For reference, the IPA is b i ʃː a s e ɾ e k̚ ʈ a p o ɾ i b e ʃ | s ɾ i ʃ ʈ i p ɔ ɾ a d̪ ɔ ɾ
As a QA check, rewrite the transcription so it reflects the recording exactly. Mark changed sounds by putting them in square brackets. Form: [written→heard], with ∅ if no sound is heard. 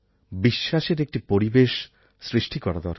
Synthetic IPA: b i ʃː a [s→ʃ] e ɾ e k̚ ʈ [a→i] p o ɾ i b e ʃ | s ɾ i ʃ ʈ i [p→k] ɔ ɾ a d̪ ɔ ɾ